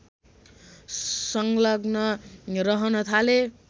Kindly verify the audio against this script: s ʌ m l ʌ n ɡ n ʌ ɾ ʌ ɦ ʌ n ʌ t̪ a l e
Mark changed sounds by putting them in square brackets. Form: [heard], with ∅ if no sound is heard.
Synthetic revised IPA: s ʌ [ŋ] l ʌ [∅] ɡ n ʌ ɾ ʌ ɦ ʌ n ʌ [t̪ʰ] a l e